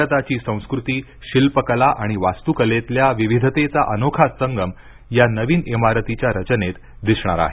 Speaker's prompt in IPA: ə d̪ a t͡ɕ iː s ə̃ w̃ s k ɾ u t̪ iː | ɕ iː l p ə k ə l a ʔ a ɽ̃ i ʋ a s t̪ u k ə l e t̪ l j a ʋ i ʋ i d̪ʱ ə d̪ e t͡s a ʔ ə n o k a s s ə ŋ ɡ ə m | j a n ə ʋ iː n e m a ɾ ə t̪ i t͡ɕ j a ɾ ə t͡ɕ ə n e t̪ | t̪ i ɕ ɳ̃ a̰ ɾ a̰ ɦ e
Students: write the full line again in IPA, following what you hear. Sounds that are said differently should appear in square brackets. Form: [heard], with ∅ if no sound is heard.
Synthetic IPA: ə [t̪] a t͡ɕ iː s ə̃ w̃ s k ɾ u t̪ iː | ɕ [i] l p ə k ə l a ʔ a ɽ̃ i ʋ a s t̪ u k ə l e t̪ l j a ʋ i ʋ i d̪ʱ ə [t̪] e t͡s a ʔ ə n o [kʰ] a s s ə ŋ ɡ ə m | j a n ə ʋ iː n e m a ɾ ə t̪ i t͡ɕ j a ɾ ə t͡ɕ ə n e t̪ | [d̪] i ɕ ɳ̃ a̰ ɾ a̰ ɦ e